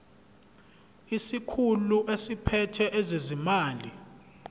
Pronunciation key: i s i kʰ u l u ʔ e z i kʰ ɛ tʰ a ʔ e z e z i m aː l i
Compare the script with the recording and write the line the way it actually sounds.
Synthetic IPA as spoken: i s i kʰ u l u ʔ e s i pʰ ɛ tʰ ɛ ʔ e z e z i m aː l i